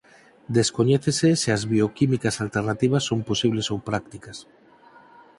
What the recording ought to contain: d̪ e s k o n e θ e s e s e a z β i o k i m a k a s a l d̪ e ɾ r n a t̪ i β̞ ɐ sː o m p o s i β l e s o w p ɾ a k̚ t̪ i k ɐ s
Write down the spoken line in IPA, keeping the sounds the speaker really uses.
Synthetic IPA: d̪ e s k o ɲ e θ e s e s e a z β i o k i m i k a s a l t̪ e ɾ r n a t̪ i β̞ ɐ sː o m p o s i β l e s o w p ɾ a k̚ t̪ i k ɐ s